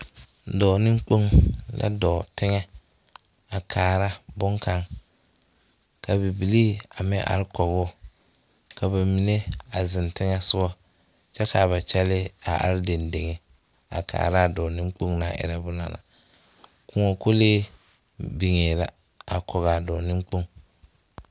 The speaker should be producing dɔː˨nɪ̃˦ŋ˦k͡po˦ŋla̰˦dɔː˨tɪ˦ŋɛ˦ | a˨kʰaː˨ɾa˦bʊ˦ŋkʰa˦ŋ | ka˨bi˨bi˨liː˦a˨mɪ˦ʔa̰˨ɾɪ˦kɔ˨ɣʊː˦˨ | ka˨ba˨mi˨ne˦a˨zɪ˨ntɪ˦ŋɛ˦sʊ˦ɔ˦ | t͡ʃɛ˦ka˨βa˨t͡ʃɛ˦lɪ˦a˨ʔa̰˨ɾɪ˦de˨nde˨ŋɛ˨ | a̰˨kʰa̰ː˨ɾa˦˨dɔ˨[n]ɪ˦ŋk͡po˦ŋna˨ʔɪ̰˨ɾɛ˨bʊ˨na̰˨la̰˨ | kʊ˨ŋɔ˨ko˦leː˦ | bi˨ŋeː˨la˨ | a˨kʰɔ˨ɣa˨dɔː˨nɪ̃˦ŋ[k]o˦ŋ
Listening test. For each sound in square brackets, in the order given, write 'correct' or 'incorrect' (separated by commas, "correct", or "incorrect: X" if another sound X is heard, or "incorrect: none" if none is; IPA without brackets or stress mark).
correct, incorrect: k͡p